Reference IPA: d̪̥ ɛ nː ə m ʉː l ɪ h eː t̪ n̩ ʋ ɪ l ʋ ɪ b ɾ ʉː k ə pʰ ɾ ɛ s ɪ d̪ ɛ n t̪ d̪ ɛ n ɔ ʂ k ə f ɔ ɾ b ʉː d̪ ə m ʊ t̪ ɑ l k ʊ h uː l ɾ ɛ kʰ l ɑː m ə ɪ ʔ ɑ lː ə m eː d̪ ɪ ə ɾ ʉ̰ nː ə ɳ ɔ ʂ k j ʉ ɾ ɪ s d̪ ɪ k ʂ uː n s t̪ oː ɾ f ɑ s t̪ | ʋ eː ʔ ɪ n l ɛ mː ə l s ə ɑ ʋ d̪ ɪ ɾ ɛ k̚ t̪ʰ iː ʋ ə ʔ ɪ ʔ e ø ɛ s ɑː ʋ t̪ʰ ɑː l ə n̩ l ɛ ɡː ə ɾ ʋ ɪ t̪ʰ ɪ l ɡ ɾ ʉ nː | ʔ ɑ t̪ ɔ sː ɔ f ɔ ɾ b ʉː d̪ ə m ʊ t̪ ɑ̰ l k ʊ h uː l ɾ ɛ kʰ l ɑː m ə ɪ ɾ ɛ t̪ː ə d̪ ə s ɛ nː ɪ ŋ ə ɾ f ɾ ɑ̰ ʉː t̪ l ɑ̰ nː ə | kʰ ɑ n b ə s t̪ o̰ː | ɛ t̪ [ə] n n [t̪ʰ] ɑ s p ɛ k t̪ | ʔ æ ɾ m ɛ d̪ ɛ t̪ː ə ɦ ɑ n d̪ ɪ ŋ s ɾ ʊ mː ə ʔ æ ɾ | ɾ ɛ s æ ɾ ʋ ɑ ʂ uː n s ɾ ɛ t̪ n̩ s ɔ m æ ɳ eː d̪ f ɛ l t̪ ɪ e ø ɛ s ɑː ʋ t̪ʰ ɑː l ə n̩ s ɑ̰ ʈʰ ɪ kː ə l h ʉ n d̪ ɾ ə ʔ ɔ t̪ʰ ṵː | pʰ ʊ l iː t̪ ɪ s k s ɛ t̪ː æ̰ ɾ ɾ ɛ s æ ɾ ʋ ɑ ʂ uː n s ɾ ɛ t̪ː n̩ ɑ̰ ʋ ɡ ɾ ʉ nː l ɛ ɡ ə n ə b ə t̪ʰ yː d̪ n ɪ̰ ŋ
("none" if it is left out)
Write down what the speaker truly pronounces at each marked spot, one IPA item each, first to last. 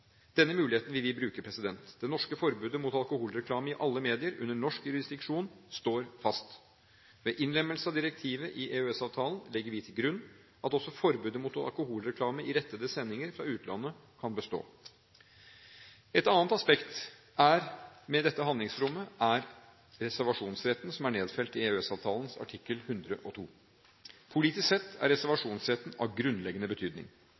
ɑ, t̪

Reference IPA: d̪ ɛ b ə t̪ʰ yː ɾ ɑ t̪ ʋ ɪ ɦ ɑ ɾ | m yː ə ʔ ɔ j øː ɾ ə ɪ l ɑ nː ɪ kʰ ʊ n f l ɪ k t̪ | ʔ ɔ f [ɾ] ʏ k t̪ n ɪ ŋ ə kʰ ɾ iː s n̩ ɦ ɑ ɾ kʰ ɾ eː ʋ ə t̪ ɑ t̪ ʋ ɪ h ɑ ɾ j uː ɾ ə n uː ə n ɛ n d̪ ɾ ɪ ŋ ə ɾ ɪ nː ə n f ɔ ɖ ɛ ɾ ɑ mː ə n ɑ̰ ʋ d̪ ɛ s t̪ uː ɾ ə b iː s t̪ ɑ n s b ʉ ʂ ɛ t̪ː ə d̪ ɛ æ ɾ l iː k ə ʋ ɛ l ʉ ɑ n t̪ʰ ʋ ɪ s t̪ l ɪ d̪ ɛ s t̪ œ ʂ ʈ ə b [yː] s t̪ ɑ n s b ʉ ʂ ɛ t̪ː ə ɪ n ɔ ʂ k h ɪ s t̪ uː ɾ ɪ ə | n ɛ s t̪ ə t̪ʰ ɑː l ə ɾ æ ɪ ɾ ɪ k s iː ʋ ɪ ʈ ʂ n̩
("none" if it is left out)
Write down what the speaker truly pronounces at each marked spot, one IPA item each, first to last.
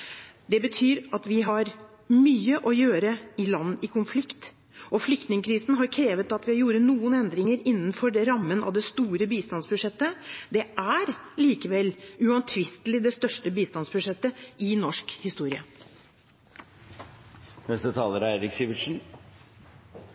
l, iː

